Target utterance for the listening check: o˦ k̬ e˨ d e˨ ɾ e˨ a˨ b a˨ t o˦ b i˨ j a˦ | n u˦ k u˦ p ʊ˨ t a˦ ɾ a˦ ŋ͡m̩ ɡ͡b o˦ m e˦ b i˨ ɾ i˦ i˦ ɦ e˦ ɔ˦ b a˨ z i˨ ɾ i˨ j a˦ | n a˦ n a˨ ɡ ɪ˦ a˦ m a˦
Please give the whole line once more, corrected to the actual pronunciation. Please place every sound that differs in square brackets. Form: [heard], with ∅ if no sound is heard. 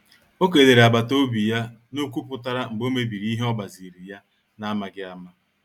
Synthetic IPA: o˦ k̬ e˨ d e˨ ɾ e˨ a˨ b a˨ t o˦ b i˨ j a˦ | n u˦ k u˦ p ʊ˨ t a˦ ɾ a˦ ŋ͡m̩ ɡ͡b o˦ m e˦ b i˨ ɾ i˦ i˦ ɦ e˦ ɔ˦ b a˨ z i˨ ɾ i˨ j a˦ | n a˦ [m] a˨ ɡ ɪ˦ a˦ m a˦